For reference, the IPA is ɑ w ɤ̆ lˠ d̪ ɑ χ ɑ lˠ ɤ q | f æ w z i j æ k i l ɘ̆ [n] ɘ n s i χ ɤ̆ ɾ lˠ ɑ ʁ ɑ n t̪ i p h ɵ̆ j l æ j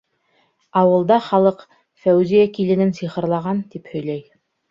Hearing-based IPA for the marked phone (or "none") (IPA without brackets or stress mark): n